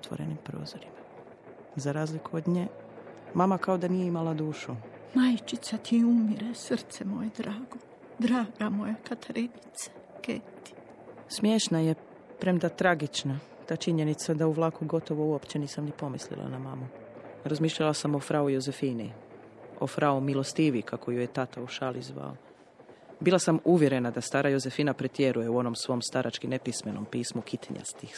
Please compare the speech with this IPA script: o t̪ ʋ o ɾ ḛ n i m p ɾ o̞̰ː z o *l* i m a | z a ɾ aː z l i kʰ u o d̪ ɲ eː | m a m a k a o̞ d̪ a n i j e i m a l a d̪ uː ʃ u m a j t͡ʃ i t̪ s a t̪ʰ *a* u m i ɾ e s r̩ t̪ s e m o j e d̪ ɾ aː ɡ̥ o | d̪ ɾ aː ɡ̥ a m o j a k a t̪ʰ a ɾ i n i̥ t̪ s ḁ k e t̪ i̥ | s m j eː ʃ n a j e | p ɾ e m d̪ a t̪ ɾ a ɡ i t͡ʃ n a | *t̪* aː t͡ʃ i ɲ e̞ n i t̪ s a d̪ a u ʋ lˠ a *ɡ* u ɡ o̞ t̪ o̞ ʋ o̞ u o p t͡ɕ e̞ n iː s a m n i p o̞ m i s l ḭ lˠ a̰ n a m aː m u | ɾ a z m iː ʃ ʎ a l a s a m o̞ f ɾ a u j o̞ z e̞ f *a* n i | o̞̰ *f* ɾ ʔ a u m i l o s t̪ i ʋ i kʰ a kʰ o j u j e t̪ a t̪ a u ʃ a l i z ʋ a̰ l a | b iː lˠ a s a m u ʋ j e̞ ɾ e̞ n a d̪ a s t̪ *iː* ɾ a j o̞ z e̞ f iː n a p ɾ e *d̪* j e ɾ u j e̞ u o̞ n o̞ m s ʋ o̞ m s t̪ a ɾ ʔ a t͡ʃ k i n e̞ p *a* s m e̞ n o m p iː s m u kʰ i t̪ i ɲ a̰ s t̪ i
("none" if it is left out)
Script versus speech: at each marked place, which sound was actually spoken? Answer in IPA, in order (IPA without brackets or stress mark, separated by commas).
ɾ, i, t̪, k, i, f, aː, t̪, i